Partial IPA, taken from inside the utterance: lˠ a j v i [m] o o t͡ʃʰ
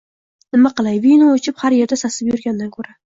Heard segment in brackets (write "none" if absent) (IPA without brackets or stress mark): n